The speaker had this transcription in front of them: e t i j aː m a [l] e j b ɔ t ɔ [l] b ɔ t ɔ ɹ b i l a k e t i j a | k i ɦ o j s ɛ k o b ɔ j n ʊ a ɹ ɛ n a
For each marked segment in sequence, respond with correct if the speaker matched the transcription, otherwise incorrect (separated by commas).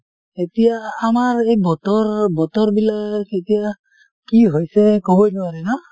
incorrect, incorrect